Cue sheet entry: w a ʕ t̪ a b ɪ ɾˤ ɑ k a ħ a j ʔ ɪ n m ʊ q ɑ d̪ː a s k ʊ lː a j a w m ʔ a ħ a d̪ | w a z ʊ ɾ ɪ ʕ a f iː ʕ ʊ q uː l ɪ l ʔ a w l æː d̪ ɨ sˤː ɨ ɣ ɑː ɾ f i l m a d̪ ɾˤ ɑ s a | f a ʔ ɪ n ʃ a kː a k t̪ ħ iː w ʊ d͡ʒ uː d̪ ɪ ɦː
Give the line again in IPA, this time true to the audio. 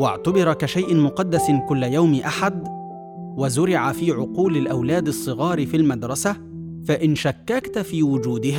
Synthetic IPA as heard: w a ʕ t̪ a b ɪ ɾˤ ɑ k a ʃ a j ʔ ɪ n m ʊ q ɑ d̪ː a s k ʊ lː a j a w m ʔ a ħ a d̪ | w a z ʊ ɾ ɪ ʕ a f iː ʕ ʊ q uː l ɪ l ʔ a w l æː d̪ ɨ sˤː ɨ ɣ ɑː ɾ f i l m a d̪ ɾˤ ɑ s a | f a ʔ ɪ n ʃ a kː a k t̪ f iː w ʊ d͡ʒ uː d̪ ɪ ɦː